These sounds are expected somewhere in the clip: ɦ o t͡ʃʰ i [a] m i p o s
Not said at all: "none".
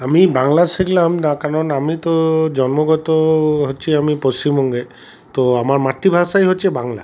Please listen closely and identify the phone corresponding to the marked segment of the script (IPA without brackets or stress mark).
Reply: a